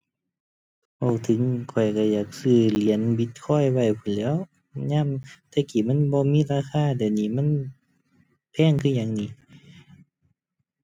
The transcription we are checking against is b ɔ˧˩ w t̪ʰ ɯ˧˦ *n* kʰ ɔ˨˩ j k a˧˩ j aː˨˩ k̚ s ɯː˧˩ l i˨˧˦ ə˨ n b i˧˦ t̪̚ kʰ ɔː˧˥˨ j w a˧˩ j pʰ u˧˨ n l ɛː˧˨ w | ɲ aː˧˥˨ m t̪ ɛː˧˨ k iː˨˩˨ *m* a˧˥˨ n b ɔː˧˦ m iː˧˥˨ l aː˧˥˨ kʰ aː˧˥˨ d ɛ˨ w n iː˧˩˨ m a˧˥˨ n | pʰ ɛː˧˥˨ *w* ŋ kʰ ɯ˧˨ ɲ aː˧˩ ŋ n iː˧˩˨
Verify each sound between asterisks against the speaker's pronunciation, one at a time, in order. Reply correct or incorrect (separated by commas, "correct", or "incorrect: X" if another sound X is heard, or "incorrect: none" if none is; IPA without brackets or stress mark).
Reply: incorrect: ŋ, correct, incorrect: none